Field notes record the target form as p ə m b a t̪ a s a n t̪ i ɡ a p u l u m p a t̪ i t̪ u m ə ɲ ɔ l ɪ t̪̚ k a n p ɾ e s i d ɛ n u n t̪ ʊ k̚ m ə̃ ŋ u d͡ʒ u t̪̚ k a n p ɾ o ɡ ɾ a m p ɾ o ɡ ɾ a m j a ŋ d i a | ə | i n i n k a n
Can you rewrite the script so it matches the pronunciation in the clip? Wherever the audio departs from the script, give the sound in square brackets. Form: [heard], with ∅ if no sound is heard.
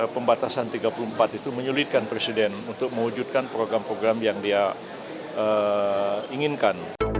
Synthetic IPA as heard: p ə m b a t̪ a s a n t̪ i ɡ a p u l u m p a t̪ i t̪ u m ə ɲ [u] l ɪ t̪̚ k a n p ɾ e s i d ɛ n u n t̪ ʊ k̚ m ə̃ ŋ u d͡ʒ u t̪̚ k a n p ɾ o ɡ ɾ a m p ɾ o ɡ ɾ a m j a ŋ d i a | ə | i [ŋ] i n k a n